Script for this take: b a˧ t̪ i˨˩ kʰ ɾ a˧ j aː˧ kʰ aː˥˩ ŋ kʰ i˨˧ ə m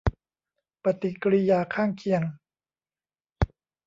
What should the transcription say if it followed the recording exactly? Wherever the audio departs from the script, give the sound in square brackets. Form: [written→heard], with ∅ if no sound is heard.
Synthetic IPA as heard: [b→p] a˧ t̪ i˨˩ [kʰ→k] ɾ [a˧→i˧] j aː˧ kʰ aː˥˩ ŋ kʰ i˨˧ ə [m→ŋ]